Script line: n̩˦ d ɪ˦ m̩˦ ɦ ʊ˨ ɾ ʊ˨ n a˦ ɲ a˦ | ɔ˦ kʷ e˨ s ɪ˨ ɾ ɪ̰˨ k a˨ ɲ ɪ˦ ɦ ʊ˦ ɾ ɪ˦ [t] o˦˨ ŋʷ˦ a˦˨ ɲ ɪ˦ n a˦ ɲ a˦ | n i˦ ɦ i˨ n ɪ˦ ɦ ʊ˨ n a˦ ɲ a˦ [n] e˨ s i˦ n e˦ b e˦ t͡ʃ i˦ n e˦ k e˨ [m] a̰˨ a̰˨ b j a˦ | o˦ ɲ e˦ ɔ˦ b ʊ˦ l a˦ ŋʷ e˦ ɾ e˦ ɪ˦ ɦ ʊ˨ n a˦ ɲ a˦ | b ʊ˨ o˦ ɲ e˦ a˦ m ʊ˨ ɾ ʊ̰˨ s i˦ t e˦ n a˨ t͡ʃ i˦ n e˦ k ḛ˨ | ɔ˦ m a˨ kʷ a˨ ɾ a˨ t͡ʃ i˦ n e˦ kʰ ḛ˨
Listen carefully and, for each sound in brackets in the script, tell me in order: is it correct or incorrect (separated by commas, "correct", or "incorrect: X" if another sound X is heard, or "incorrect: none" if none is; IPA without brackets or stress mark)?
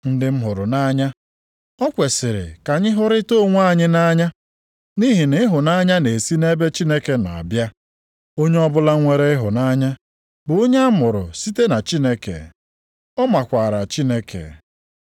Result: correct, correct, incorrect: n